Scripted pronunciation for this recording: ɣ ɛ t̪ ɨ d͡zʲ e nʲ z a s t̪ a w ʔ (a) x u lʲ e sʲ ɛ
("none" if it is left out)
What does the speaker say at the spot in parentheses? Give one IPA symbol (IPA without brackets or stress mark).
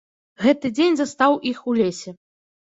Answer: i